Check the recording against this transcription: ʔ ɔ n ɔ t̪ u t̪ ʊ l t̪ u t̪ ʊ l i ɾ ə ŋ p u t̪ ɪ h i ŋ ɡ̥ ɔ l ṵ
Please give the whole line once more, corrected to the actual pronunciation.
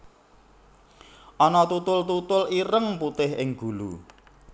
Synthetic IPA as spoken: ʔ ɔ n ɔ t̪ u t̪ ʊ l t̪ u t̪ ʊ l i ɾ ə ŋ p u t̪ ɪ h ɪ ŋ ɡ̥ u l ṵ